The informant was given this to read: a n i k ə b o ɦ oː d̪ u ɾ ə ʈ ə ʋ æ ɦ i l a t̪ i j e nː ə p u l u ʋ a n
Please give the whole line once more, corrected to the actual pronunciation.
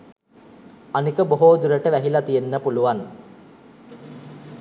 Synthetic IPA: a n i k ə b o ɦ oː d̪ u ɾ ə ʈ ə ʋ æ ɦ i l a t̪ i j e nː ə p u l u ʋ a n